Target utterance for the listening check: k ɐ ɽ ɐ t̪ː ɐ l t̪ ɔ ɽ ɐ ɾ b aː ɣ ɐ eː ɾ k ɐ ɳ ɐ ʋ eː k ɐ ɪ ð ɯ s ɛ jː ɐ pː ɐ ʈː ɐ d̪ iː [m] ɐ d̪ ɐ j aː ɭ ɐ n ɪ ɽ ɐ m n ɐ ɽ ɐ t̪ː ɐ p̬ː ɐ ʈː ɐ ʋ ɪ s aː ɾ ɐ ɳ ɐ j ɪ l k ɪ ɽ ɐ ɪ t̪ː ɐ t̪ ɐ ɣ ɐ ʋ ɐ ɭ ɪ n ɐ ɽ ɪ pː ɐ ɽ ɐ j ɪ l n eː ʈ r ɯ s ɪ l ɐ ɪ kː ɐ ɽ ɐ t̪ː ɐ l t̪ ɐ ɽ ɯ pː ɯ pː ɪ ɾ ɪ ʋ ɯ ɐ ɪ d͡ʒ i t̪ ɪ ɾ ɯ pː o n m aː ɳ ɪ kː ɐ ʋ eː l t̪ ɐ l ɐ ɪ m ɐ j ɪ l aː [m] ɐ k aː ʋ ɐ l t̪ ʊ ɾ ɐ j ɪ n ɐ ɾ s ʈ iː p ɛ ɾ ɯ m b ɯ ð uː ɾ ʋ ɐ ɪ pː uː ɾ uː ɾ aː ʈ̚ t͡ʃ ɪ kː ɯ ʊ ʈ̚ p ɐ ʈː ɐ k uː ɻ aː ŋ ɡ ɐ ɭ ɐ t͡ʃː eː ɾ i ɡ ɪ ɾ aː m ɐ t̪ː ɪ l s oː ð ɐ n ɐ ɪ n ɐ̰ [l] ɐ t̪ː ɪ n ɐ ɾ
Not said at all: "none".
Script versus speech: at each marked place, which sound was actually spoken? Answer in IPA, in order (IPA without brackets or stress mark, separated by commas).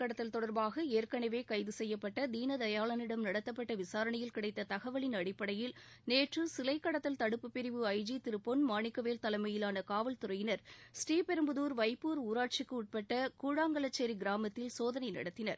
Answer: n, n, ɽ